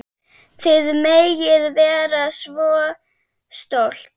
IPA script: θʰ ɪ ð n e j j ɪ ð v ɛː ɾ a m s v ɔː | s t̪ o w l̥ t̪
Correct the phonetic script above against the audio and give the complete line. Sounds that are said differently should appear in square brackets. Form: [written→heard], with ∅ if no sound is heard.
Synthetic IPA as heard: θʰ ɪ ð [n→m] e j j ɪ ð v ɛː ɾ a [m→∅] s v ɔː | s t̪ o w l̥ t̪